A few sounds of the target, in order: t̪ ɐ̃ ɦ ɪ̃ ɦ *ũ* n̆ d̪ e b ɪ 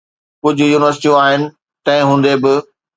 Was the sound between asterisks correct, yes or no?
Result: no